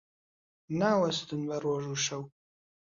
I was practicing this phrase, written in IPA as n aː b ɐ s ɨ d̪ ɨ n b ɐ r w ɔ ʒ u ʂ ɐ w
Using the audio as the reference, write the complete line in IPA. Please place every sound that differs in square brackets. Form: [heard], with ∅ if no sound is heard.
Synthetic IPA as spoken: n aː [w] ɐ s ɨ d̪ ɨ n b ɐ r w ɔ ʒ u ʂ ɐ w